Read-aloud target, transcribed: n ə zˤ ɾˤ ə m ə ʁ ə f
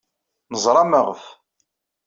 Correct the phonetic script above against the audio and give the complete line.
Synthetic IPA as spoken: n ə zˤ ɾˤ ɑ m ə ʁ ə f